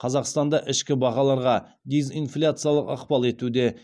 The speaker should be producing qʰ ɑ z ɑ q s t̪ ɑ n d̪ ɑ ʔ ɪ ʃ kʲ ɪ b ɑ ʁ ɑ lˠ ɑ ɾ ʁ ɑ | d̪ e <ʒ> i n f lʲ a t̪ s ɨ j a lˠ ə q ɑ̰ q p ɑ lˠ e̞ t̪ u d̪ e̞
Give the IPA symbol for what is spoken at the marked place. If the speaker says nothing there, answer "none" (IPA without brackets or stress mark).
z